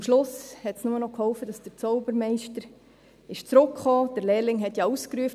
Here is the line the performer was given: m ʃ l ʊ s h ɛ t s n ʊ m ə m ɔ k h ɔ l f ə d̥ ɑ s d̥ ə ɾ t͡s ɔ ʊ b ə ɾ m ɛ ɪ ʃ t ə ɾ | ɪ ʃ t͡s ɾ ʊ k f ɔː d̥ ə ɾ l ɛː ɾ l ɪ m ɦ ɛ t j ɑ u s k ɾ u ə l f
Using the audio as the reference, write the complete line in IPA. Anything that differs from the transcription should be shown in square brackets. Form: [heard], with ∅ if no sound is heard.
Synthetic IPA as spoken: m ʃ l ʊ s h ɛ t s n ʊ m ə [n] ɔ k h ɔ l f ə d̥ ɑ s d̥ ə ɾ t͡s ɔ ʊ b ə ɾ m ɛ ɪ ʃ t ə ɾ | ɪ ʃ t͡s ɾ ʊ k [χ] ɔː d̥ ə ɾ l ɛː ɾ l ɪ [ŋ] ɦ ɛ t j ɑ u s k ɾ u ə [∅] f